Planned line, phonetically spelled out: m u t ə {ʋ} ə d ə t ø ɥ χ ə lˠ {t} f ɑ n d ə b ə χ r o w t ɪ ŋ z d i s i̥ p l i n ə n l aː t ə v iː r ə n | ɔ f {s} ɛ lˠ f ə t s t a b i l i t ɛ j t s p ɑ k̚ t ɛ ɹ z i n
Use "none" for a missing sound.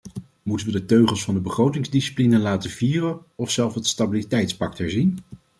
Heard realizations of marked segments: ʋ, s, s

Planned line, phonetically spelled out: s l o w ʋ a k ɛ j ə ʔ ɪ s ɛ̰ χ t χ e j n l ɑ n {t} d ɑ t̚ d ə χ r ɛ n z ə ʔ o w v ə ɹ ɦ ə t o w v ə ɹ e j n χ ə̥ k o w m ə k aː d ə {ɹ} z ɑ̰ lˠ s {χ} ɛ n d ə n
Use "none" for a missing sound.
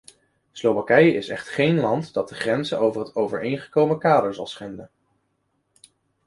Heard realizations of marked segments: t, ɹ, χ

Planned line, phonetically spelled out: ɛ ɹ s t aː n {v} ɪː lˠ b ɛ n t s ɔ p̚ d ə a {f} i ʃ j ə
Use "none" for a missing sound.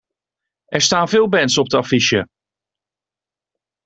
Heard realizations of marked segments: v, f

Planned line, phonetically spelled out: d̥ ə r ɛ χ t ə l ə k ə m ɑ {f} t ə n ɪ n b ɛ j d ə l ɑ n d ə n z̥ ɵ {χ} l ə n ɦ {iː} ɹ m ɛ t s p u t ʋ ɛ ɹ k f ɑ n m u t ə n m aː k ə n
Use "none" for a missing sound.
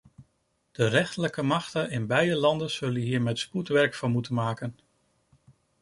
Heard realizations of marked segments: χ, none, iː

